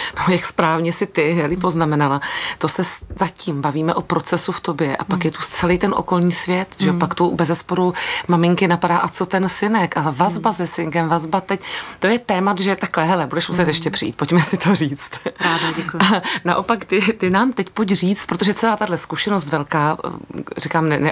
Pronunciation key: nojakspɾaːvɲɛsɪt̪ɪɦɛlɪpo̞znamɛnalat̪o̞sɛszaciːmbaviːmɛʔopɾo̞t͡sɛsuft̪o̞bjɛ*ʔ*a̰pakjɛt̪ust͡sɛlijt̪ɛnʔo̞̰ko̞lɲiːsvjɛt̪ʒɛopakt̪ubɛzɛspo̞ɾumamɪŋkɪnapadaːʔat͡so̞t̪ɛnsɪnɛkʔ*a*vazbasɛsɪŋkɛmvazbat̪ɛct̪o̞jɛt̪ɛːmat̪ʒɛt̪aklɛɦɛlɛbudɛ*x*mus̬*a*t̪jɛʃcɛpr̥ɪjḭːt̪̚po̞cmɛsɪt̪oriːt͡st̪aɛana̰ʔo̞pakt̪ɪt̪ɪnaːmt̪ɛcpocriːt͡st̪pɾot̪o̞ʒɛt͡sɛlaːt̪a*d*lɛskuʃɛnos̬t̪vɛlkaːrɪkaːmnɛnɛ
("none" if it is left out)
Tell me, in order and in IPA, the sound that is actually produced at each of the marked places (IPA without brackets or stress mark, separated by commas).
ʔ, a, ʃ, ɛ, d